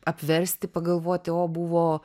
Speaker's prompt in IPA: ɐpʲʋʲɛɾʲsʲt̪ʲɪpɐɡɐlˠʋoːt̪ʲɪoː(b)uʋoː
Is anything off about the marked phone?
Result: no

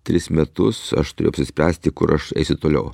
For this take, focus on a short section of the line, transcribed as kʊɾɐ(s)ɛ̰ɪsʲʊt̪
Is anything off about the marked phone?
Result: yes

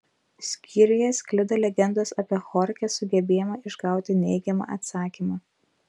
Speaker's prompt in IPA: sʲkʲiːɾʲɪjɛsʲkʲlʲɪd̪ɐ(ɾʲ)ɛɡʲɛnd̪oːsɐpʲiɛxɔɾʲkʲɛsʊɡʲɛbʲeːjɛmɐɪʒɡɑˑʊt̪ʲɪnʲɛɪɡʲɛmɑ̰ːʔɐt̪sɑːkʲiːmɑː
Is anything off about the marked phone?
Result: yes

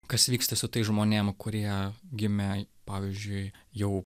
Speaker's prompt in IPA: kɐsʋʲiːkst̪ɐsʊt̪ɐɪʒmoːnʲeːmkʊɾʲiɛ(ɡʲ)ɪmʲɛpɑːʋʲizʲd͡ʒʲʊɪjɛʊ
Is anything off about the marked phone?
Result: no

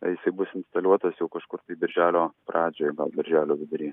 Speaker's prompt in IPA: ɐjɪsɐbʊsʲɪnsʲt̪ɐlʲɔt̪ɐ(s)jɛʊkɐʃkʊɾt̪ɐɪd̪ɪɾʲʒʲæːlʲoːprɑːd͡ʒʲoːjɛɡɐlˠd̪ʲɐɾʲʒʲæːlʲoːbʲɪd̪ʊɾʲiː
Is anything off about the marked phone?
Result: no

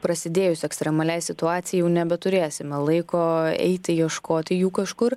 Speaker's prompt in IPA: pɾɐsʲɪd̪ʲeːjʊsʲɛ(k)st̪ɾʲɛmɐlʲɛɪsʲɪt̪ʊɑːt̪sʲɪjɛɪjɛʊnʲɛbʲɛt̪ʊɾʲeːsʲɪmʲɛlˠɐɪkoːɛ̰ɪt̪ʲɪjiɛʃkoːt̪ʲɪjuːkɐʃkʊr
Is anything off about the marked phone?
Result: no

